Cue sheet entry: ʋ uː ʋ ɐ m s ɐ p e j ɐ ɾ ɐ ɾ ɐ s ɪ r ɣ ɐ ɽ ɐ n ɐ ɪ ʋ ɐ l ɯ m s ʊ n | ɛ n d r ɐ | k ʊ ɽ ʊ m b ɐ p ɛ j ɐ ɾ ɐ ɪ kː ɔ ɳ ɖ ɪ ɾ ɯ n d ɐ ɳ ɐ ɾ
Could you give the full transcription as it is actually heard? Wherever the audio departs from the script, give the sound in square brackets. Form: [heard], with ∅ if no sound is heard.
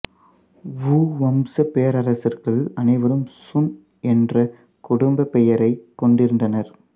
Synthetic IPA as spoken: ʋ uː ʋ ɐ m s ɐ p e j ɐ ɾ ɐ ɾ ɐ s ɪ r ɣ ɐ [ɭ] ɐ n ɐ ɪ ʋ ɐ [ɾ] ɯ m s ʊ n | ɛ n d r ɐ | k ʊ ɽ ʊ m b ɐ p ɛ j ɐ ɾ ɐ ɪ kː ɔ ɳ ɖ ɪ ɾ ɯ n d ɐ [n] ɐ ɾ